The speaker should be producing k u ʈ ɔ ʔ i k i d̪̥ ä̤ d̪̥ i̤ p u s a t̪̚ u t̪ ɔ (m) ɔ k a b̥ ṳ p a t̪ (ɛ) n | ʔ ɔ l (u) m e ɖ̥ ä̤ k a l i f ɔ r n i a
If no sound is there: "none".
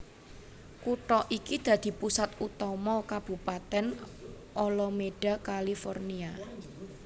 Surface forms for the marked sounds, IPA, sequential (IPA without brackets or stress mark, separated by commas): m, ɛ, ɔ